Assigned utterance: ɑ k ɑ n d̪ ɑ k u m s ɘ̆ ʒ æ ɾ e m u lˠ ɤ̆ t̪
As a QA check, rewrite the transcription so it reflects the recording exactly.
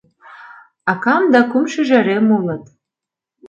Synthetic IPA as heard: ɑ k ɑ m d̪ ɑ k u m ʃ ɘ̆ ʒ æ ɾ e m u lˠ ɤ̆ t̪